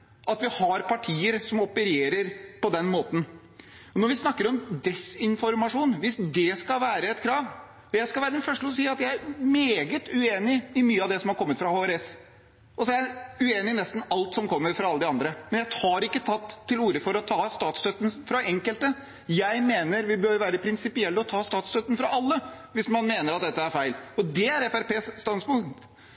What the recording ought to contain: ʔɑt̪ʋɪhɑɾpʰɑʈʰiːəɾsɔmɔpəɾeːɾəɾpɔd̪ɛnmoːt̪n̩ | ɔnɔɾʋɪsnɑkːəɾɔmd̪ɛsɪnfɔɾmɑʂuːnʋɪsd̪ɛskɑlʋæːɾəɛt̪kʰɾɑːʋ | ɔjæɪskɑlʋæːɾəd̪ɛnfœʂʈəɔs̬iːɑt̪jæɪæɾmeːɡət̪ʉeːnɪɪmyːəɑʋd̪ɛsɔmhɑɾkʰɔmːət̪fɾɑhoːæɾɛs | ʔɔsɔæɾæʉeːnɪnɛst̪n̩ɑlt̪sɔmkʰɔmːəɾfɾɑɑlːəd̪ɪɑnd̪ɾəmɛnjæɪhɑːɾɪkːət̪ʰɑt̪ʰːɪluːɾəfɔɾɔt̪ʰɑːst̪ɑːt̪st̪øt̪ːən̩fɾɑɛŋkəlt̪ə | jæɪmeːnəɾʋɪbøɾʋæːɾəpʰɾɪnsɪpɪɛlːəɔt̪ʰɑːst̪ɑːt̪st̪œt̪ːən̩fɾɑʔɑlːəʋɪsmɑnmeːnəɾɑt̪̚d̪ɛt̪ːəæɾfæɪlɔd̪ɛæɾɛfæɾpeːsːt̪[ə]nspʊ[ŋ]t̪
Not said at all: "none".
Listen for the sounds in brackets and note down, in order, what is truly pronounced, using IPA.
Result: ɑ, ŋ

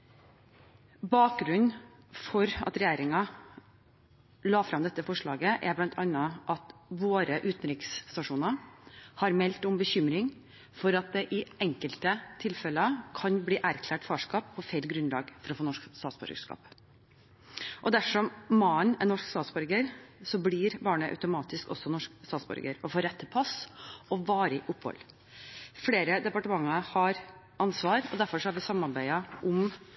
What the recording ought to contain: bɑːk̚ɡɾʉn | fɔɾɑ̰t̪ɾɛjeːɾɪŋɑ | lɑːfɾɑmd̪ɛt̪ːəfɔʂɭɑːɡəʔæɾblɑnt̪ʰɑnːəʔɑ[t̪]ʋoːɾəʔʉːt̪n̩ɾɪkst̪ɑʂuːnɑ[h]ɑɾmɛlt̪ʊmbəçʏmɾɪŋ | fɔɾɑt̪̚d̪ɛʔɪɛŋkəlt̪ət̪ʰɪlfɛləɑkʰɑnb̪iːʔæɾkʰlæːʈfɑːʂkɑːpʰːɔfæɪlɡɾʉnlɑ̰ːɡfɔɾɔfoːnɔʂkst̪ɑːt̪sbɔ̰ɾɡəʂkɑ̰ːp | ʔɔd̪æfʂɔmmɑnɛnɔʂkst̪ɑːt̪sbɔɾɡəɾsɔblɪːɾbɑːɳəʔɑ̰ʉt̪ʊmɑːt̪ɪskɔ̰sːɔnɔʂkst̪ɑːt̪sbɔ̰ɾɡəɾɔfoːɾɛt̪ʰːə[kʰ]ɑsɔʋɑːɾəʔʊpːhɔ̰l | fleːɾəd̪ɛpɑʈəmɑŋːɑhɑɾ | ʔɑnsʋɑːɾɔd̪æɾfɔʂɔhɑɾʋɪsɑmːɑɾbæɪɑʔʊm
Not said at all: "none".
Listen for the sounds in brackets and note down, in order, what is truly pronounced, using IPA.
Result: t̪, h, pʰ

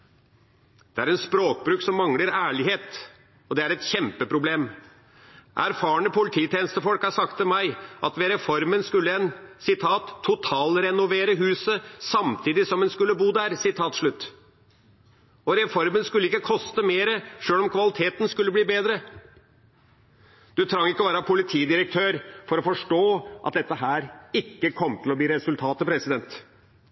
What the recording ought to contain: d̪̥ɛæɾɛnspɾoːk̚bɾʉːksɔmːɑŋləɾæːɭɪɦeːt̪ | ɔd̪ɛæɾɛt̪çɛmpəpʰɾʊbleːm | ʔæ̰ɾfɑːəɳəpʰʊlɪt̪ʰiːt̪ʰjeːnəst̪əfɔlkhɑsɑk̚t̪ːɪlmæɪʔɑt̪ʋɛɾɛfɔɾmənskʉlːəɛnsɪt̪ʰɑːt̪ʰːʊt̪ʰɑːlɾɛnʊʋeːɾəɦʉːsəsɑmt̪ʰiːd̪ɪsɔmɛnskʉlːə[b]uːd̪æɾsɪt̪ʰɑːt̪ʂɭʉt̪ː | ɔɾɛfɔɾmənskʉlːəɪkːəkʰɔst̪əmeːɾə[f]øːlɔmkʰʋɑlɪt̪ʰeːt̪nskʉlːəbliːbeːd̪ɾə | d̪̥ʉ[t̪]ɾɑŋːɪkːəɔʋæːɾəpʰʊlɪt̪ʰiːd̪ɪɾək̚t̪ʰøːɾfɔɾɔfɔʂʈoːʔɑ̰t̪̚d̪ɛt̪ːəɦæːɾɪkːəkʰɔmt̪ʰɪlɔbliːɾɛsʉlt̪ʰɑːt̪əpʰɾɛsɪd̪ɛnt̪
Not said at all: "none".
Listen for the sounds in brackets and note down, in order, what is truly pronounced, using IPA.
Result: b, ʂ, t̪ʰ

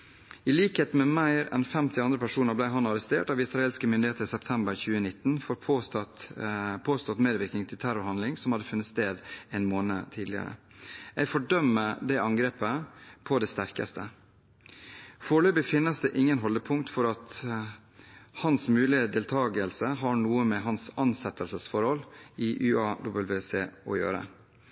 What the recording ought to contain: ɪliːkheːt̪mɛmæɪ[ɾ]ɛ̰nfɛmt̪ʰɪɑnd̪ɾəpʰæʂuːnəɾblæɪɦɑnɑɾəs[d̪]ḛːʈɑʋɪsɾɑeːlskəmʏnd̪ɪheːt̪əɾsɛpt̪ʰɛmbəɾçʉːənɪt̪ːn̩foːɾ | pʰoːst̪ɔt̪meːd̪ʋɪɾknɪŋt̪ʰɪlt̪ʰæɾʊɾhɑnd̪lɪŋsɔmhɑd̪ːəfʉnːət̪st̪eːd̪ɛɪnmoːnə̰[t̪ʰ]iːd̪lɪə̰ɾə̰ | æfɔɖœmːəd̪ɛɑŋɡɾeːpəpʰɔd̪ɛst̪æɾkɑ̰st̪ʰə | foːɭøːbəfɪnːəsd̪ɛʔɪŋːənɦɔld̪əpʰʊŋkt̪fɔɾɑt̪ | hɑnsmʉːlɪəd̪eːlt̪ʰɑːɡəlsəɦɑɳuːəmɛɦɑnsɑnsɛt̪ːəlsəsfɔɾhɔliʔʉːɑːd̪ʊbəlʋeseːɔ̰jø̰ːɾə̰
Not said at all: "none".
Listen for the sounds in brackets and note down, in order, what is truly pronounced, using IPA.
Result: ɾ, t̪, t̪ʰ

